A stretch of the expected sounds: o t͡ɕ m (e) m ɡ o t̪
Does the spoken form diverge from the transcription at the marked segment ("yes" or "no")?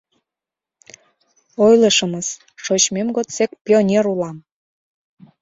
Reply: no